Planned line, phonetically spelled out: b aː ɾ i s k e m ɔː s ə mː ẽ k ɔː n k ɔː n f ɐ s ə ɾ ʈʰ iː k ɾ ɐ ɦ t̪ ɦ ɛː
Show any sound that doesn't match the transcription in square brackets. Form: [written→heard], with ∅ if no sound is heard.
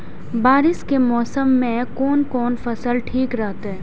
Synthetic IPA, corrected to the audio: b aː ɾ [i→ɪ] s k e m ɔː s ə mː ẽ k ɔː n k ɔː n f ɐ s ə [ɾ→l] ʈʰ iː k ɾ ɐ ɦ t̪ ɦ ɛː